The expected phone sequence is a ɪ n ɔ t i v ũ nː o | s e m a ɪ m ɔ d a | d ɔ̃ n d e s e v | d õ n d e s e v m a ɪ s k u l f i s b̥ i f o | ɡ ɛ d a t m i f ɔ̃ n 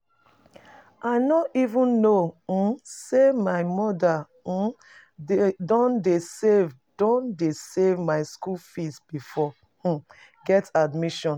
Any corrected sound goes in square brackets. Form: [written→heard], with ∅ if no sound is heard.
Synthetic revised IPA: a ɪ n ɔ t i v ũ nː o | s e m a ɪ m ɔ d a | d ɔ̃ n d e s e v | d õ n d e s e v m a ɪ s k u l f i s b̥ i f [o→ɔ] | ɡ ɛ [d→t] a [t→d] m i [f→ʃ] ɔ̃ n